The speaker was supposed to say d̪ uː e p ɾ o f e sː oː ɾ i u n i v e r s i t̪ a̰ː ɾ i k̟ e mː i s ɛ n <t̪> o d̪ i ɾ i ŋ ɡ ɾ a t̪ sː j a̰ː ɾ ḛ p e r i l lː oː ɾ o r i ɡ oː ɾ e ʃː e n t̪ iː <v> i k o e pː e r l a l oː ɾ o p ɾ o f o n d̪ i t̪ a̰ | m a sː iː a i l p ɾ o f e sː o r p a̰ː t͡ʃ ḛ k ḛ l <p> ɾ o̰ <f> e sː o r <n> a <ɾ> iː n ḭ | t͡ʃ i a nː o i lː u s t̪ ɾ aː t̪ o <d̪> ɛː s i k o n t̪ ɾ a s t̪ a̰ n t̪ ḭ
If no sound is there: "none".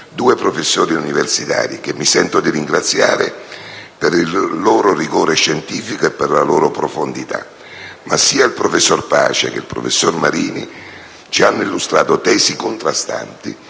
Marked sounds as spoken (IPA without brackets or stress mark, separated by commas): t̪, f, p, f, m, ɾ, t̪